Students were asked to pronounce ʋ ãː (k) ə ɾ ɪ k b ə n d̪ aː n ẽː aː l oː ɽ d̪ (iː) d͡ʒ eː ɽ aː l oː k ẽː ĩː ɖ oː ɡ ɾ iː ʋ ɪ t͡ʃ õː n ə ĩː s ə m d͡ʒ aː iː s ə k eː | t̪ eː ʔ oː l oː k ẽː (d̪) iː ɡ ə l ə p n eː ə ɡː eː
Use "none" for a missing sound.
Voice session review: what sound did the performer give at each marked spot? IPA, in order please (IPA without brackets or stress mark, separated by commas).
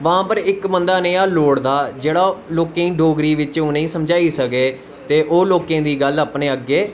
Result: p, aː, d̪